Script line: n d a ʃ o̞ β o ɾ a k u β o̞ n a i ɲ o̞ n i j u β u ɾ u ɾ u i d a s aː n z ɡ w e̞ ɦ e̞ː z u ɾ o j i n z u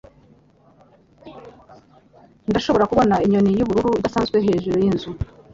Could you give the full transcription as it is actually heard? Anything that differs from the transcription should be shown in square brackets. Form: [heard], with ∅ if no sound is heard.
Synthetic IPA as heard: n d a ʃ o̞ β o ɾ a k u β o̞ n a i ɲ o̞ n i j u β u ɾ u ɾ u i d a s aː n z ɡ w e̞ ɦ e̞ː [ʒ] u ɾ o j i n z u